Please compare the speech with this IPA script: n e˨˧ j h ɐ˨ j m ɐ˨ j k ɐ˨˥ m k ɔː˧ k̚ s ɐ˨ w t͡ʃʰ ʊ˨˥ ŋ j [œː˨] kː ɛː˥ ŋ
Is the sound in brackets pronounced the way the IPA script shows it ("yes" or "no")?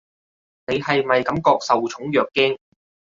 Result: yes